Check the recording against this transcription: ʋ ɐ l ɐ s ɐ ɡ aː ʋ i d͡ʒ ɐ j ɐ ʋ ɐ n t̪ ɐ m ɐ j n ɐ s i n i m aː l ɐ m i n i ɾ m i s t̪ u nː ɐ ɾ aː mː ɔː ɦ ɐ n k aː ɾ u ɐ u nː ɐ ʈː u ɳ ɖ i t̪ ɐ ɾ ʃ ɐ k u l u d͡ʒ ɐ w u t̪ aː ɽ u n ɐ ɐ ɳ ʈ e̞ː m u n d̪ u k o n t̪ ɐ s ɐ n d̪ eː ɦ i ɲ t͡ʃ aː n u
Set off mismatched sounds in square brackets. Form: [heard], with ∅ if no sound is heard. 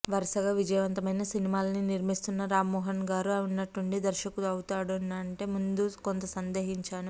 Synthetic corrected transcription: ʋ ɐ [ɾ] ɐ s ɐ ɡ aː ʋ i d͡ʒ ɐ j ɐ ʋ ɐ n t̪ ɐ m ɐ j n ɐ s i n i m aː l ɐ [n] i n i ɾ m i s t̪ u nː ɐ ɾ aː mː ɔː ɦ ɐ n [ɡ] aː ɾ u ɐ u nː ɐ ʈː u ɳ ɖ i [d̪] ɐ ɾ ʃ ɐ k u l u [∅] ɐ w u t̪ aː ɽ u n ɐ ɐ ɳ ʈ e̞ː m u n d̪ u k o n t̪ ɐ s ɐ n d̪ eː ɦ i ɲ t͡ʃ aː n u